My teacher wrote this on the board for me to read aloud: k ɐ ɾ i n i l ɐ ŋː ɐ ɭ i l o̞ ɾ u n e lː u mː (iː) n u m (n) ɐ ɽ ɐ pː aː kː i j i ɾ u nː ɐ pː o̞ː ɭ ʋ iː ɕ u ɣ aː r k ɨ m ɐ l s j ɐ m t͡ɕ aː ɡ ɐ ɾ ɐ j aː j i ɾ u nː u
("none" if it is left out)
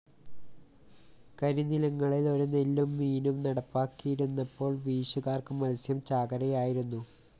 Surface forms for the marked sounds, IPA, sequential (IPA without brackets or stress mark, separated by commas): iː, n